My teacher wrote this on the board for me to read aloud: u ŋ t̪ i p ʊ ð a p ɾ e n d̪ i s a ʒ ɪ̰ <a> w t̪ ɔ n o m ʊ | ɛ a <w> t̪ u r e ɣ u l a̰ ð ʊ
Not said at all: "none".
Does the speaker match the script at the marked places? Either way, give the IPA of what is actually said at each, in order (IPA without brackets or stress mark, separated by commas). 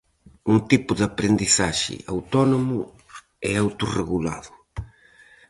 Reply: a, w